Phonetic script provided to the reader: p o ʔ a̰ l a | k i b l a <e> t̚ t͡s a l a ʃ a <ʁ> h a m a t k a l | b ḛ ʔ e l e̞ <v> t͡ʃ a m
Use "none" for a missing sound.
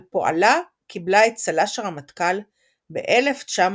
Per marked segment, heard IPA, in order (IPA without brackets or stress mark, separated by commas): e, ʁ, f